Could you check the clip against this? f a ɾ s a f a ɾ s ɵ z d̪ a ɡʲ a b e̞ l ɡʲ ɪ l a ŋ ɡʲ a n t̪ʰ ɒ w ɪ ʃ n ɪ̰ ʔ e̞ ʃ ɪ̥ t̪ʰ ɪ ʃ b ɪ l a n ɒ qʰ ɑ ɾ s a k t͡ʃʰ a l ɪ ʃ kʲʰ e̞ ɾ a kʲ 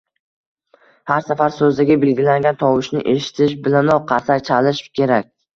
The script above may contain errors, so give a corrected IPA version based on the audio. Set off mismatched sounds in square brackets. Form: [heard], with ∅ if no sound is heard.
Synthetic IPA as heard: [h] a ɾ s a f a ɾ s ɵ z d̪ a ɡʲ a b e̞ l ɡʲ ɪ l a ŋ ɡʲ a n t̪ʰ ɒ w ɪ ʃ n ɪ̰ ʔ e̞ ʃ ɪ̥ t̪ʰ ɪ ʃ b ɪ l a n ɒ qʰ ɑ ɾ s a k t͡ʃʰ a l ɪ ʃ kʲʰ e̞ ɾ a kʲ